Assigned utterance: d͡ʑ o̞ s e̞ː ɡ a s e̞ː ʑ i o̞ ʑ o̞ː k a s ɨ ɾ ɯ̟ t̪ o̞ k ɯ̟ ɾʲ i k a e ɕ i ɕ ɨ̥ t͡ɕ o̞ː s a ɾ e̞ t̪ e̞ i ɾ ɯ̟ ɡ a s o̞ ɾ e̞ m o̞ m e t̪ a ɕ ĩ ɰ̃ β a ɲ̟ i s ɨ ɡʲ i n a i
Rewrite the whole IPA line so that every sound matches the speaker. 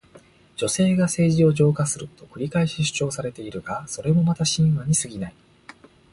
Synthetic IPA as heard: d͡ʑ o̞ s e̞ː ɡ a s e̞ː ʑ i o̞ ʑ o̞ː k a s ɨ ɾ ɯ̟ t̪ o̞ k ɯ̟ ɾʲ i k a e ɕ i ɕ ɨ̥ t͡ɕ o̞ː s a ɾ e̞ t̪ e̞ i ɾ ɯ̟ ɡ a s o̞ ɾ e̞ m o̞ m a t̪ a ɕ ĩ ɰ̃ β a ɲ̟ i s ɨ ɡʲ i n a i